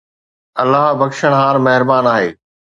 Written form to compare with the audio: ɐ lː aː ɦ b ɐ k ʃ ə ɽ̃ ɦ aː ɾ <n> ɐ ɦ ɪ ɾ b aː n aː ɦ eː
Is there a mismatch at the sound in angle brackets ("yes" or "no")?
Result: yes